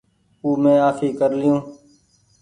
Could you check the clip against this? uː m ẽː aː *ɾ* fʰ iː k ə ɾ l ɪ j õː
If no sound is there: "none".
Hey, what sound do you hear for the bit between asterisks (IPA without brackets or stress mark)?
none